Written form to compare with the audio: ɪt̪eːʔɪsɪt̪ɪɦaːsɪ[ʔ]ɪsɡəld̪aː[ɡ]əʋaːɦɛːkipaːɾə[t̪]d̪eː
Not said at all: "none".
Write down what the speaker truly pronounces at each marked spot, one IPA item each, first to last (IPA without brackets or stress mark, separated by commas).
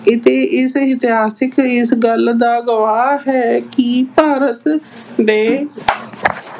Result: k, ɡ, t̪